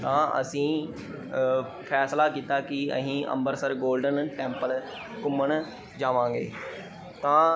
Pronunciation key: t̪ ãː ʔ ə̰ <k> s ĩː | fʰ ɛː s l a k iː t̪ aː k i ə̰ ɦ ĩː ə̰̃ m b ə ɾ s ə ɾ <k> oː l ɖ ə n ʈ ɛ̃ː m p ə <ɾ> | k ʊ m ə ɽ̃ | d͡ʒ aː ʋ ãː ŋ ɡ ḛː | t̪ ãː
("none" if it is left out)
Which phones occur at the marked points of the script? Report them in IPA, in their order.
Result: none, ɡ, l

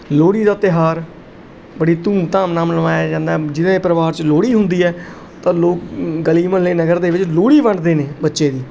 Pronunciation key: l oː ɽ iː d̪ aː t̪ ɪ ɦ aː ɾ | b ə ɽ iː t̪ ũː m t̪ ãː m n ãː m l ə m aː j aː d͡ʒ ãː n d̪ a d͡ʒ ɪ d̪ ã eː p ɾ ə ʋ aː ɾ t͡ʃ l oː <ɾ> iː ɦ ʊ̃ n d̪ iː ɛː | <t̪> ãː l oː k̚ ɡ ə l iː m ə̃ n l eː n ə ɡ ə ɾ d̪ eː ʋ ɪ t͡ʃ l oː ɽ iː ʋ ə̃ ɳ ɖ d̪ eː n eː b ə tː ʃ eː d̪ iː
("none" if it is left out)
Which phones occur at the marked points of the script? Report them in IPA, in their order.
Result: ɽ, t̪

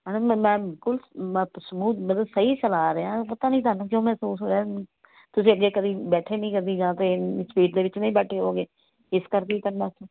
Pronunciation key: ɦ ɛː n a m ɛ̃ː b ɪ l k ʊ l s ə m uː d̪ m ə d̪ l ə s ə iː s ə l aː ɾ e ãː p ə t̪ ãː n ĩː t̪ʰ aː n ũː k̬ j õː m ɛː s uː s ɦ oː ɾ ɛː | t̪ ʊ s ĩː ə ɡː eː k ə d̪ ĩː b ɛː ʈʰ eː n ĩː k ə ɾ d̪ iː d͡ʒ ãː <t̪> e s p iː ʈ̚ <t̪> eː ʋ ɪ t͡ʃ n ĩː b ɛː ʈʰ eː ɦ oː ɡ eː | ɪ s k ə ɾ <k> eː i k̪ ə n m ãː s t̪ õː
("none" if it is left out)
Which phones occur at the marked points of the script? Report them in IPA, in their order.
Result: t̪, d̪, k

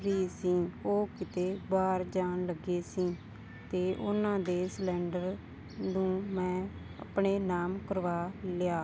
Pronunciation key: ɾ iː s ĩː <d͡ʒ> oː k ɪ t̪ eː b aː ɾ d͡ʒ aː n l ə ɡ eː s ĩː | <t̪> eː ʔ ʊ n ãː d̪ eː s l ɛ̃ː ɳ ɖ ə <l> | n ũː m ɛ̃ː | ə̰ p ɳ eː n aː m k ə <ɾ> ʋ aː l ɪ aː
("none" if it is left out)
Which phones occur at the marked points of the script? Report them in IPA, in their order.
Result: none, t̪, ɾ, ɾ

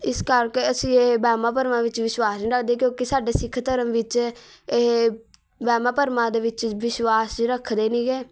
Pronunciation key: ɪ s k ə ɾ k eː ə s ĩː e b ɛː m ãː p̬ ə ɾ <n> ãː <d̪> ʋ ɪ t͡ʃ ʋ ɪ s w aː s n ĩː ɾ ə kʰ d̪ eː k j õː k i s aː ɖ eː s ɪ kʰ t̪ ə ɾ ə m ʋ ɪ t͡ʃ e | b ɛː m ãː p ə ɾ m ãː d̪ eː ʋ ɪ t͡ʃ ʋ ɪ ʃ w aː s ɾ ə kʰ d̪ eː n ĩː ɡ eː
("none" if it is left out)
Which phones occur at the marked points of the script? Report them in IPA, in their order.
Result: m, none

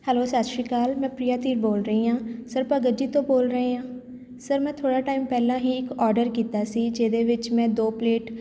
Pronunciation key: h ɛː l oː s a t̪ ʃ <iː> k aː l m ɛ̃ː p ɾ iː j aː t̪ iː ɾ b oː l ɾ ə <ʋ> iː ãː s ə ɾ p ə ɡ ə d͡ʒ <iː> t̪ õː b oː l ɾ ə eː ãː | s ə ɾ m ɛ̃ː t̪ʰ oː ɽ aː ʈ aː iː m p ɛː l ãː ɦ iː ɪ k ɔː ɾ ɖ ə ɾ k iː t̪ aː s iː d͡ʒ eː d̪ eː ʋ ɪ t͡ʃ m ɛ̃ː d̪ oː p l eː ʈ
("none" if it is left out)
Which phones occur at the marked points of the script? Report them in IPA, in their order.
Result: iː, none, iː

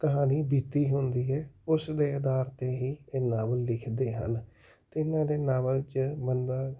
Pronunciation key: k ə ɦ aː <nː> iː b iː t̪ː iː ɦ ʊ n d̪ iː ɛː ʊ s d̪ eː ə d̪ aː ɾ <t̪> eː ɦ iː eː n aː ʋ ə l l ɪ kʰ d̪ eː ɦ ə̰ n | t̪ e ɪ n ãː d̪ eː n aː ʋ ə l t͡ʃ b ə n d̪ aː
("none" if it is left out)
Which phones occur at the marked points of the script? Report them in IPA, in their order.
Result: n, t̪

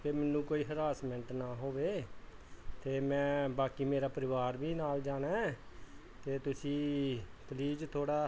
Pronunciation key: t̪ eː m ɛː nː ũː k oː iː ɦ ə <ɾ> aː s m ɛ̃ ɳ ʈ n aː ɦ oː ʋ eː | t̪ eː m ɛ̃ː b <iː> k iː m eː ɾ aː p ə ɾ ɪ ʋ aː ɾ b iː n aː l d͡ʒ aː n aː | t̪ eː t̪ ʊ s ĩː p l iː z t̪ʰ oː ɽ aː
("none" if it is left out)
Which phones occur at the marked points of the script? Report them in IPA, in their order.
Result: ɾ, aː

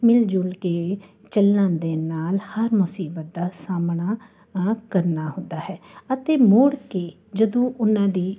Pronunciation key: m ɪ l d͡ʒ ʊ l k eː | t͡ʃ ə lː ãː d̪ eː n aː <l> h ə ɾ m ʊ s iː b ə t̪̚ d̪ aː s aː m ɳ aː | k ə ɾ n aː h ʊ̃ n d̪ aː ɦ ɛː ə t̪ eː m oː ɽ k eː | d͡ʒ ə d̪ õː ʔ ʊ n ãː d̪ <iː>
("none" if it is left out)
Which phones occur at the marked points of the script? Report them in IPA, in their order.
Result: l, iː

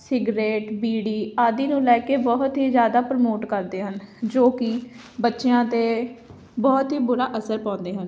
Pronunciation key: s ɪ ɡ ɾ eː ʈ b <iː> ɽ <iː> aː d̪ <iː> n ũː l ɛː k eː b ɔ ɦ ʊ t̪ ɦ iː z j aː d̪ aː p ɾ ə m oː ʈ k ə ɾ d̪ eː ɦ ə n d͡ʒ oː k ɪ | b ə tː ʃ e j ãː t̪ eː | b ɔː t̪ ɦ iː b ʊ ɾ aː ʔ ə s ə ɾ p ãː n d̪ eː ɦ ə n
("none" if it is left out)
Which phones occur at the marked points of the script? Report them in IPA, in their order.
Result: iː, iː, iː

